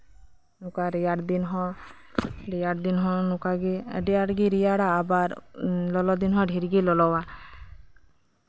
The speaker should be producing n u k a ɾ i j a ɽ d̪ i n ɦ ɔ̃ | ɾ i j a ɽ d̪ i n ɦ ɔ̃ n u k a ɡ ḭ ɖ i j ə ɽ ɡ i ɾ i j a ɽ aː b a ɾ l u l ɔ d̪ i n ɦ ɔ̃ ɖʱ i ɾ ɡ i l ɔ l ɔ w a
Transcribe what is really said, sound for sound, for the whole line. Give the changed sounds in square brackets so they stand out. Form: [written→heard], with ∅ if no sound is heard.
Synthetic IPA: n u k a ɾ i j a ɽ d̪ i n ɦ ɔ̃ | ɾ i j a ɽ d̪ i n ɦ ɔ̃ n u k a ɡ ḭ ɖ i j [ə→a] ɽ ɡ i ɾ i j a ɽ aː b a ɾ l [u→ɔ] l ɔ d̪ i n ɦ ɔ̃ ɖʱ i ɾ ɡ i l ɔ l ɔ w a